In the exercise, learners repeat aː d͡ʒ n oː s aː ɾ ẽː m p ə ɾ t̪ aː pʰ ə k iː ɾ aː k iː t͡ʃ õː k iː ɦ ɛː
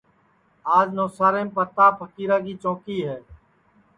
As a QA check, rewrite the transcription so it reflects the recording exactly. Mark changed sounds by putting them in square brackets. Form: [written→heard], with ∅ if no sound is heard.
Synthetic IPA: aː d͡ʒ n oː s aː ɾ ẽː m p ə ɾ t̪ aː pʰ ə k iː ɾ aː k iː t͡ʃ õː k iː ɦ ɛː